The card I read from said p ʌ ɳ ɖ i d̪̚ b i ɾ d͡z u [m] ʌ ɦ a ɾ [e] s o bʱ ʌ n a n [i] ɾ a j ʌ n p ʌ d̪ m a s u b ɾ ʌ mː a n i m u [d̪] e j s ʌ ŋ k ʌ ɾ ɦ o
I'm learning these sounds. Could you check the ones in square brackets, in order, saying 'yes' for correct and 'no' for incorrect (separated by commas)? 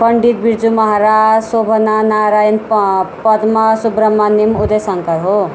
yes, no, no, yes